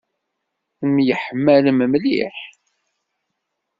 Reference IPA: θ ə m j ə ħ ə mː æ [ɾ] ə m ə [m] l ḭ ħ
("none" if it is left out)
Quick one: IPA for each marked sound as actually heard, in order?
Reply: l, m

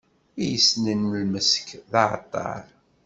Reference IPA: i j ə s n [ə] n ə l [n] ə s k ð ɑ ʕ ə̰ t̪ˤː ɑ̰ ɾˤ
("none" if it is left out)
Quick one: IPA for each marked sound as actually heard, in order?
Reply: ə, m

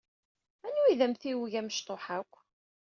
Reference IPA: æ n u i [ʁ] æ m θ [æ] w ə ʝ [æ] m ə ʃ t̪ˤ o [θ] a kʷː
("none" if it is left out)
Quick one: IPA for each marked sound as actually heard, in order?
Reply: ð, i, æ, ħ

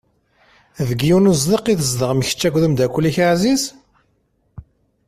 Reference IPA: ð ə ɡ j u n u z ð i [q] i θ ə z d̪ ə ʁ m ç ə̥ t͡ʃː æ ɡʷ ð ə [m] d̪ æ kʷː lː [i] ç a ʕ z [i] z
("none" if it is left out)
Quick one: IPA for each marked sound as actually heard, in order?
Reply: q, m, i, i

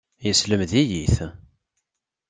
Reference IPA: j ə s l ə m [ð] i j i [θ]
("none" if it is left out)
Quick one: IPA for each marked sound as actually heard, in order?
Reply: ð, θ

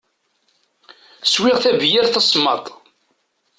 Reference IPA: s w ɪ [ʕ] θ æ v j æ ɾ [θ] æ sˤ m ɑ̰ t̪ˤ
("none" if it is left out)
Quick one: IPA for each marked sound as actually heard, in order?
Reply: ʁ, θ

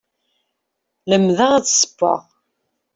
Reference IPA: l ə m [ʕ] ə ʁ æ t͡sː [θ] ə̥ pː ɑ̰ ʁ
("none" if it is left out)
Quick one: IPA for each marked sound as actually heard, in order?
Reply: ð, s

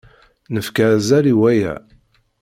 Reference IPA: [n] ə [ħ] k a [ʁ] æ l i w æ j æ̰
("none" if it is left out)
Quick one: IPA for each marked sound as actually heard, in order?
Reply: n, f, z

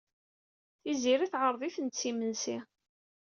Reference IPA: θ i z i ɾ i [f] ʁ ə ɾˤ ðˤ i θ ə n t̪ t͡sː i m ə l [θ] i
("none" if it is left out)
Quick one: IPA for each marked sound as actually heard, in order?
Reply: θ, s

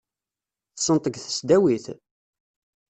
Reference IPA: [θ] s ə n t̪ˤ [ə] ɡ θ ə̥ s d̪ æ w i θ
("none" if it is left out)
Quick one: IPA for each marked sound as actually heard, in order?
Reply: θ, ə

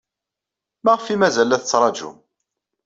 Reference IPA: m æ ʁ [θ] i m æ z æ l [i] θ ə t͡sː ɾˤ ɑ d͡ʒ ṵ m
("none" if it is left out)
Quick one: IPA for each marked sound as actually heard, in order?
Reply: f, æ

